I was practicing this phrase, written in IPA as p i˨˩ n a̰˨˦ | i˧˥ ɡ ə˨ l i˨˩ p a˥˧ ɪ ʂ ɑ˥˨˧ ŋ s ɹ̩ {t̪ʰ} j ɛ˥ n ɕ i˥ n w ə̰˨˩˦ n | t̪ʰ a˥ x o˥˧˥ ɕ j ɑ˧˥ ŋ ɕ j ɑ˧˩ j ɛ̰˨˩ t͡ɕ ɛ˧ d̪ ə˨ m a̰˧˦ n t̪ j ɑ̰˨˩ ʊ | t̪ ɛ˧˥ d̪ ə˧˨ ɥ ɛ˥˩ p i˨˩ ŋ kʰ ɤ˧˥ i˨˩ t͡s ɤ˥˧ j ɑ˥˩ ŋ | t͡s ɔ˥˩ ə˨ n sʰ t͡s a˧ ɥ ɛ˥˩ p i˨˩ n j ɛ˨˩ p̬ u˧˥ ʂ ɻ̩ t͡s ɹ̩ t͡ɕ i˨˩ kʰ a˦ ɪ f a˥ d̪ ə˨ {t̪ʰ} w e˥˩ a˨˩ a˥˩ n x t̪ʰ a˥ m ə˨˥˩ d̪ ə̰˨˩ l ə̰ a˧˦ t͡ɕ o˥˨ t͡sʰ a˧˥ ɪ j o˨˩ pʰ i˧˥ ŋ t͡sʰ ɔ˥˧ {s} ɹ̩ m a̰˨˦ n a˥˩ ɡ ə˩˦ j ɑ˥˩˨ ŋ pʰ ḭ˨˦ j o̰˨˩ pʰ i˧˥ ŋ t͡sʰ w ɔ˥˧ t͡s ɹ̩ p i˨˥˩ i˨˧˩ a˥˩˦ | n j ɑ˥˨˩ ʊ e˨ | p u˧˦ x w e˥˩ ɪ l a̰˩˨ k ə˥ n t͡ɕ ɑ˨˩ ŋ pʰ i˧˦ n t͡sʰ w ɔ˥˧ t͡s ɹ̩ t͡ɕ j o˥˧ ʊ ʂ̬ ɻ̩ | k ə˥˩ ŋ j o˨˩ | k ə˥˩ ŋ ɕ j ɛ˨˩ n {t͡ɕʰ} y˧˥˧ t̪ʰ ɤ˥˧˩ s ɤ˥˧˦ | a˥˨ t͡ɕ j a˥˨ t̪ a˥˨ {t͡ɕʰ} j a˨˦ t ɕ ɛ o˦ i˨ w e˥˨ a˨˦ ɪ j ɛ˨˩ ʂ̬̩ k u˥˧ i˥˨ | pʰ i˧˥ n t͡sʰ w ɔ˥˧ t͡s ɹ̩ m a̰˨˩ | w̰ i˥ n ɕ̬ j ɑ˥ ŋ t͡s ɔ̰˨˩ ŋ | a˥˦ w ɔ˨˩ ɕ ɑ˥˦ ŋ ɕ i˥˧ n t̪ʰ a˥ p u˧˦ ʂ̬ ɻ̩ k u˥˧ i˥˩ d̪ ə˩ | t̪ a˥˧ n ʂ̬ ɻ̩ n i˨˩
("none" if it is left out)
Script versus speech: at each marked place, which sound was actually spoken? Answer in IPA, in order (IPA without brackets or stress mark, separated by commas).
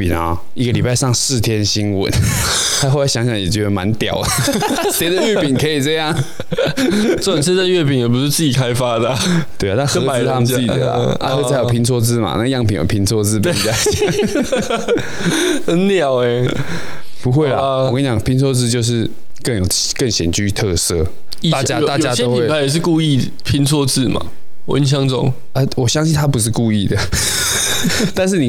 t̪ʰ, t̪, t͡s, t͡ɕ, t͡ɕ